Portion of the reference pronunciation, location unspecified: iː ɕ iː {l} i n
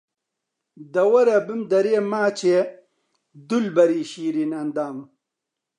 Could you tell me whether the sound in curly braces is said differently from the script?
yes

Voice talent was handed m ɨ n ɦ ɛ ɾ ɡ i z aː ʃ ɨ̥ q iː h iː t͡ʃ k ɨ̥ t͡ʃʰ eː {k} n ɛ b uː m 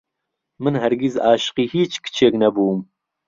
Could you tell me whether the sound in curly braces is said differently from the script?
no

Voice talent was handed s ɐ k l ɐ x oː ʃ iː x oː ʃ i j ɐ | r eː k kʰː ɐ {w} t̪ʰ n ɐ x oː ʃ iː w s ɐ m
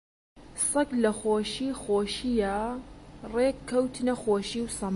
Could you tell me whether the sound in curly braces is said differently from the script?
no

